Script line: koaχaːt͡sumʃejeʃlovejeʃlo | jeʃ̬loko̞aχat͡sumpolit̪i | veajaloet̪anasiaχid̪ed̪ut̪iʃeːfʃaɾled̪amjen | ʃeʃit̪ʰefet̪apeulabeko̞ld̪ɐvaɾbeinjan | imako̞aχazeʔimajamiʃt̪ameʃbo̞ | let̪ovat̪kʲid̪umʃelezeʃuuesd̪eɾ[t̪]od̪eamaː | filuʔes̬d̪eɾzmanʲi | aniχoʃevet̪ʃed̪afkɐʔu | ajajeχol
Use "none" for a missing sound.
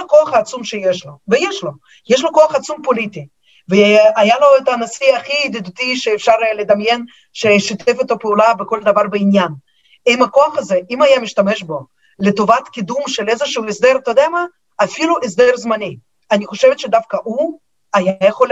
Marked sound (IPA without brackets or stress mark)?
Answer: t̪